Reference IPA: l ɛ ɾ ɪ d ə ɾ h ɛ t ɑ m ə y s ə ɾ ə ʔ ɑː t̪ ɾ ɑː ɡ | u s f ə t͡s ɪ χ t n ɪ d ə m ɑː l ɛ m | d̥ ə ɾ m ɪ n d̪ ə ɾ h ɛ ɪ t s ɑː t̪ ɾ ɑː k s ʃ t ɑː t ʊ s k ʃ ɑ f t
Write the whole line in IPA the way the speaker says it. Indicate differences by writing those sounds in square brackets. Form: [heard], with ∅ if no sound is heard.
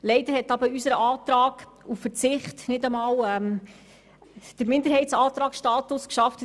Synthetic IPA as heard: l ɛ [∅] ɪ d ə ɾ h ɛ t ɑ [b] ə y s ə ɾ ə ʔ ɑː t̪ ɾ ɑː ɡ | u [f] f ə t͡s ɪ χ t n ɪ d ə m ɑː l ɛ m | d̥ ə ɾ m ɪ n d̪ ə ɾ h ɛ ɪ t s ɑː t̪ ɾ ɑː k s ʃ t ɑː t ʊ s k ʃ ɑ f t